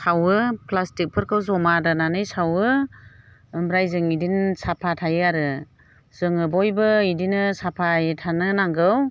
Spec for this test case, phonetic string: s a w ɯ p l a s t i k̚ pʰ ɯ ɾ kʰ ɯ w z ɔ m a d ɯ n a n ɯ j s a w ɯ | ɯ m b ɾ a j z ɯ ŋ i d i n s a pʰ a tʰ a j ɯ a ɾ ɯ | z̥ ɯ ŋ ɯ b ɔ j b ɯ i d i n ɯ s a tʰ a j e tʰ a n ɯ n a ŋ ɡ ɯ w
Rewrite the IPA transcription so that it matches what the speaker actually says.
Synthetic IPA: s a w ɯ p l a s t i k̚ pʰ ɯ ɾ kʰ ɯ w z ɔ m a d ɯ n a n ɯ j s a w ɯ | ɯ m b ɾ a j z ɯ ŋ i d i n s a pʰ a tʰ a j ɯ a ɾ ɯ | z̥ ɯ ŋ ɯ b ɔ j b ɯ i d i n ɯ s a pʰ a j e tʰ a n ɯ n a ŋ ɡ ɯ w